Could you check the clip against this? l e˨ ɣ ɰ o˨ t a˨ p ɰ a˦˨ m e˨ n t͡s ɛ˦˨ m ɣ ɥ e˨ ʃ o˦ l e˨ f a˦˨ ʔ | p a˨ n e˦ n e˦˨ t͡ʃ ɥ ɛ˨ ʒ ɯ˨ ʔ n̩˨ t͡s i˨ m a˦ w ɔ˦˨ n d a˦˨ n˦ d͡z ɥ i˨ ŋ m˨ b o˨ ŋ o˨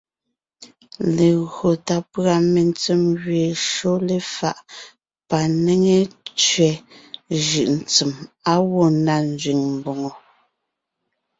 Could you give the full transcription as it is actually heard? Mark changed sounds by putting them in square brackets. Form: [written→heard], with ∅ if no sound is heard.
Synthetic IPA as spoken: l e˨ ɣ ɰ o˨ t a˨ p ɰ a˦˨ m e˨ n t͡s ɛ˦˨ m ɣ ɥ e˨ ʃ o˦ l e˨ f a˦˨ ʔ | p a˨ n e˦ [n→ŋ] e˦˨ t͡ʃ ɥ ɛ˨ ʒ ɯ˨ ʔ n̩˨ t͡s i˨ m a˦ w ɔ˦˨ n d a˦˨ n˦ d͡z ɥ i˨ ŋ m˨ b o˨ ŋ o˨